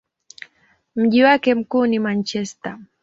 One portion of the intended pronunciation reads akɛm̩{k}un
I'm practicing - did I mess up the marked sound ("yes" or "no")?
no